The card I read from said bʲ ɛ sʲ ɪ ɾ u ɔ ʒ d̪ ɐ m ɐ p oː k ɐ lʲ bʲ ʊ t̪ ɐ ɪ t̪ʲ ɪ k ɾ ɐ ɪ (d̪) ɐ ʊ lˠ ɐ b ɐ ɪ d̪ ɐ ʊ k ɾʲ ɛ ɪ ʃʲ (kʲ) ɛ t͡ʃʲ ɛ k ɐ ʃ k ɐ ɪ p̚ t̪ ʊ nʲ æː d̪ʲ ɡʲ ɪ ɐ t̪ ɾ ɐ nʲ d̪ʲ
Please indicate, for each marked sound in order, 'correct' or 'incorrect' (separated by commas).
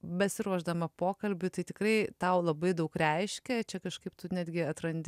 incorrect, correct